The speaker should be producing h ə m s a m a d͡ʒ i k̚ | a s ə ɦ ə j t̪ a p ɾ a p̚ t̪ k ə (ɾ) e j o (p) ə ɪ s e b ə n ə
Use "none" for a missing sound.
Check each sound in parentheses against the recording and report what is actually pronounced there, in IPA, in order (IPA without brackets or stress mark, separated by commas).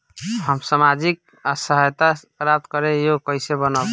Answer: ɾ, k